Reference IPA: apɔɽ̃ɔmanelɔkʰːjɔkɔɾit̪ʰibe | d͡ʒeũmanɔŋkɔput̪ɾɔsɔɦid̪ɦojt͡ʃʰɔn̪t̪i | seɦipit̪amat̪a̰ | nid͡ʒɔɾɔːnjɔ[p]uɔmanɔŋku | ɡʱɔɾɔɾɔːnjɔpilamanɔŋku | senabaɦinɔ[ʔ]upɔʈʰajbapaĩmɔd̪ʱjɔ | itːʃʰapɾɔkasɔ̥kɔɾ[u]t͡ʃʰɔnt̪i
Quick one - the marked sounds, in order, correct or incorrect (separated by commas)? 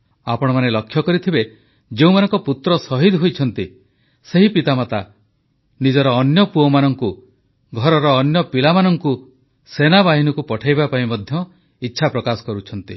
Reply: correct, incorrect, correct